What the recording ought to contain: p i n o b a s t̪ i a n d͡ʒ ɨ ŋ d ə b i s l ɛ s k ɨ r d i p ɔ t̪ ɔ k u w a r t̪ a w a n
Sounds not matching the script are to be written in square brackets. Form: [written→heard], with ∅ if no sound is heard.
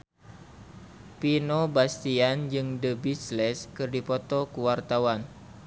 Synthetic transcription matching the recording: p i n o b a s t̪ i a n d͡ʒ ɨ ŋ d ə b i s l ɛ s k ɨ r d i p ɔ t̪ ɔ k u w a r t̪ a w a n

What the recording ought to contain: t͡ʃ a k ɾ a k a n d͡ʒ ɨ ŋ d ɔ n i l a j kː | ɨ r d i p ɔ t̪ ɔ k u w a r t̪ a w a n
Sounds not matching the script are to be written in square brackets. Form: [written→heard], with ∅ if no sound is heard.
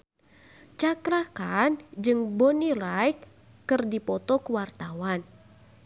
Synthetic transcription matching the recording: t͡ʃ a k ɾ a k a n d͡ʒ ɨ ŋ [d→b] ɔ n i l a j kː | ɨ r d i p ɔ t̪ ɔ k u w a r t̪ a w a n

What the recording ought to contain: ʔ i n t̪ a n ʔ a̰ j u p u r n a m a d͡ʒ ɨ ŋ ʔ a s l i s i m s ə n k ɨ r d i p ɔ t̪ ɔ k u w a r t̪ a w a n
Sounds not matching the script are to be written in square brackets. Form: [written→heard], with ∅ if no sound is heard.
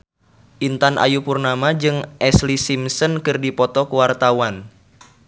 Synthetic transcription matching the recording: ʔ i n t̪ a n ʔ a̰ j u p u r n a m a d͡ʒ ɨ ŋ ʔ [a→ɛ] s l i s i m s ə n k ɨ r d i p ɔ t̪ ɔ k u w a r t̪ a w a n

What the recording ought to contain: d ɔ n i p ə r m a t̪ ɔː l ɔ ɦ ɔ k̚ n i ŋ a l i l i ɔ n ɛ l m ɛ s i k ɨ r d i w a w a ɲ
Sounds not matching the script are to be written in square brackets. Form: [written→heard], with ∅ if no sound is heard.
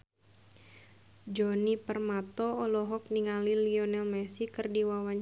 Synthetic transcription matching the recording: [d→d͡ʒ] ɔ n i p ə r m a t̪ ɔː l ɔ ɦ ɔ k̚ n i ŋ a l i l i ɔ n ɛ l m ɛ s i k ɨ r d i w a w a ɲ

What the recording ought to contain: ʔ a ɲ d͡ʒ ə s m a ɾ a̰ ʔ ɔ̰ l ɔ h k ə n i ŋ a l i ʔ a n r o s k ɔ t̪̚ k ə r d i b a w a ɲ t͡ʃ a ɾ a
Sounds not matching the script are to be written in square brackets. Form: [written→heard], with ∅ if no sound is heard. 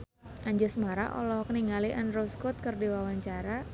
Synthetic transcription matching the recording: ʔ a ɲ d͡ʒ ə s m a ɾ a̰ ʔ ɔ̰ l ɔ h k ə n i ŋ a l i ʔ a n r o s k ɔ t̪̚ k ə r d i [b→w] a w a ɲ t͡ʃ a ɾ a

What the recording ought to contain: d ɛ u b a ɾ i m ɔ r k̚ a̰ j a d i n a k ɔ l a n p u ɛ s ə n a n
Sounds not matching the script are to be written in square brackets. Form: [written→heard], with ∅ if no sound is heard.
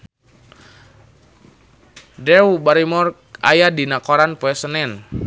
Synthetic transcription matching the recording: d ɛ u b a ɾ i m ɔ r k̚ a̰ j a d i n a k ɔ [l→ɾ] a n p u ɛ s ə n [a→ɛ] n

